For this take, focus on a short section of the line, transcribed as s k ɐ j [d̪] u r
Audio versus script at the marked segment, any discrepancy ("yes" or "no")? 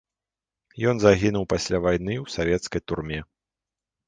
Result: yes